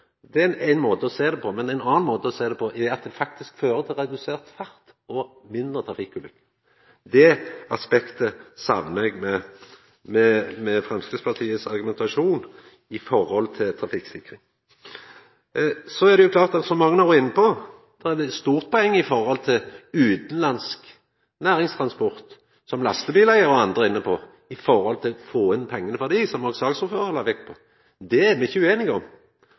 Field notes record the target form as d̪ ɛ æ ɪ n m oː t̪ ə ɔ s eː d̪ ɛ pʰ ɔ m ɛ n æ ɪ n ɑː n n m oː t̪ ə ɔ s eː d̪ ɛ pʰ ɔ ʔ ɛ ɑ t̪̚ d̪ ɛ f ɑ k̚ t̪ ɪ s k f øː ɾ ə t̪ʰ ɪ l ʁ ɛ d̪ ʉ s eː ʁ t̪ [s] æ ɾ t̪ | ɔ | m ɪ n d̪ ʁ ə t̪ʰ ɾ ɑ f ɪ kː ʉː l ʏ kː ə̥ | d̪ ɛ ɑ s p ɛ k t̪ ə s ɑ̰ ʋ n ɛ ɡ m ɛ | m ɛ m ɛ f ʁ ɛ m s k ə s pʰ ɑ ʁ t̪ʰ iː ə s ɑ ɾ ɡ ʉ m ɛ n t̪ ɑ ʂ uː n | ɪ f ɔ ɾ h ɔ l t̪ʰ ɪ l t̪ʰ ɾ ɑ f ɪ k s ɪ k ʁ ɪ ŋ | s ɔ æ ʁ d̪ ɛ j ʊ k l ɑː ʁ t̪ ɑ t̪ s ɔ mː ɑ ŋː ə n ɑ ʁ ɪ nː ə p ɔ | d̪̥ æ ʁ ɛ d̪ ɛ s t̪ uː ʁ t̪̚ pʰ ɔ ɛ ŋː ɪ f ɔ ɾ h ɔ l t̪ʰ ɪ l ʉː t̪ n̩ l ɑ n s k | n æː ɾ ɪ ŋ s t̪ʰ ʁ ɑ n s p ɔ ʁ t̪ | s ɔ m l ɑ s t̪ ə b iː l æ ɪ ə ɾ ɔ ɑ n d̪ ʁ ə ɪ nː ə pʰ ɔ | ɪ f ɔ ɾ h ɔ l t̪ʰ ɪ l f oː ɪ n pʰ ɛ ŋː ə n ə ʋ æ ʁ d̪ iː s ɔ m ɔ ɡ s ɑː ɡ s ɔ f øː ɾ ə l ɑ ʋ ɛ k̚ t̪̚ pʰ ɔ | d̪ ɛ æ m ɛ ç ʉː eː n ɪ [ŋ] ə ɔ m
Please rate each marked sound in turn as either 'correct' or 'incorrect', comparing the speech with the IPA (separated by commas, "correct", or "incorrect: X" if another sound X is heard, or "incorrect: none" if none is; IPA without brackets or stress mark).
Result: incorrect: f, incorrect: ɡ